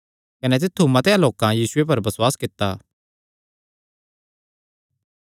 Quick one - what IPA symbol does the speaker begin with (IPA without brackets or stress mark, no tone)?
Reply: k